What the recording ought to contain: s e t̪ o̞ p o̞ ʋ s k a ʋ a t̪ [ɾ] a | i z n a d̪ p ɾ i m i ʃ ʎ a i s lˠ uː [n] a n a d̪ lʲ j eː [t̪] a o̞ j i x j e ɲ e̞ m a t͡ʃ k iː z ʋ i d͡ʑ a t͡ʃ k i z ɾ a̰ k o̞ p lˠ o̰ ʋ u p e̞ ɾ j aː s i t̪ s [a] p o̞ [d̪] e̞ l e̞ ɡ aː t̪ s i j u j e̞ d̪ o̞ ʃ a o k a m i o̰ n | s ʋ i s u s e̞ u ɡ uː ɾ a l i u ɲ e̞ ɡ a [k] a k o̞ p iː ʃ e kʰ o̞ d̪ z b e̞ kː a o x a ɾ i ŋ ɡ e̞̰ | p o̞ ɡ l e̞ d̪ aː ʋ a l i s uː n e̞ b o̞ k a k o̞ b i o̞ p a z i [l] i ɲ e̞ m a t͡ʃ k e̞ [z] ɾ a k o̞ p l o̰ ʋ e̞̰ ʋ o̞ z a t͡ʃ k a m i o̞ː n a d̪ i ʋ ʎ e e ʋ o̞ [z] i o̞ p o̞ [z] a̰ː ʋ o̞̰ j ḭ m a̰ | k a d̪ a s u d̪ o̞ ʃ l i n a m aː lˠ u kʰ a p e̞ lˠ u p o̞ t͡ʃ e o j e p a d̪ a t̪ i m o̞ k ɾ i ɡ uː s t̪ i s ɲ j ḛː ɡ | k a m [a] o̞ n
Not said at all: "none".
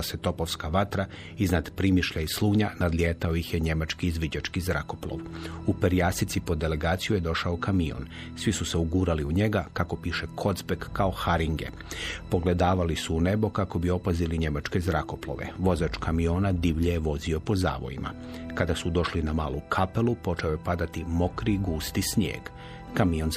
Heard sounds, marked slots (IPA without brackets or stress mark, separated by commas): ɾ, ɲ, t̪, i, d̪, k, l, z, z, z, i